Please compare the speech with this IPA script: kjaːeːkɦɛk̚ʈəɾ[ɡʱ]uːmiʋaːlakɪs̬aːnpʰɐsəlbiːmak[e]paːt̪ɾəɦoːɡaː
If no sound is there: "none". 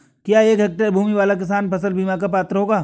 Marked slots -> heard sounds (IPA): bʱ, a

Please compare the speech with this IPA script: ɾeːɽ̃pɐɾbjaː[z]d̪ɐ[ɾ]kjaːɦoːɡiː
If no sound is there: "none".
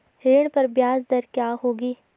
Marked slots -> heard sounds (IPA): z, ɾ

